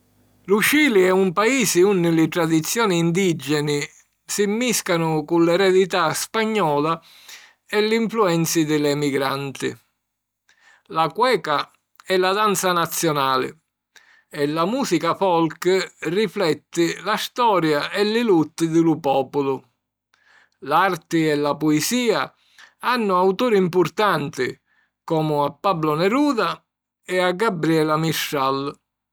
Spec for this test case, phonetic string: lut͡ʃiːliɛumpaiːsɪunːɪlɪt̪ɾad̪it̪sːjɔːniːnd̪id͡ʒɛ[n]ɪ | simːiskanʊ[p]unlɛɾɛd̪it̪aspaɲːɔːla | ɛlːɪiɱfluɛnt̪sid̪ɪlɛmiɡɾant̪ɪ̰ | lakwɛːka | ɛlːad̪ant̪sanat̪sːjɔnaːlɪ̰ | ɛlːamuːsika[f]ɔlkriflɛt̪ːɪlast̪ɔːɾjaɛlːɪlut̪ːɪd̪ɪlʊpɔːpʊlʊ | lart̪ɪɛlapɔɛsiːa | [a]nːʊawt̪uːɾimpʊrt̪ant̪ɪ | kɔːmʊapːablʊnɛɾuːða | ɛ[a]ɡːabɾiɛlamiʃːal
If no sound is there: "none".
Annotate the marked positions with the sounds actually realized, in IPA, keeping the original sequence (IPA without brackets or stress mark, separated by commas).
n, k, f, a, a